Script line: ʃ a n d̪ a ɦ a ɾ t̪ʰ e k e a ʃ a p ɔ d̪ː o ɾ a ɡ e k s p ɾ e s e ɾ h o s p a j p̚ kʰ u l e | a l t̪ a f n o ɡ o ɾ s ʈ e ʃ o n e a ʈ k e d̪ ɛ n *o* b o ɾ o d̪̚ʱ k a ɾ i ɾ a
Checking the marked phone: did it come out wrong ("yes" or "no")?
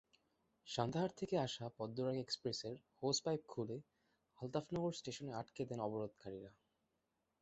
yes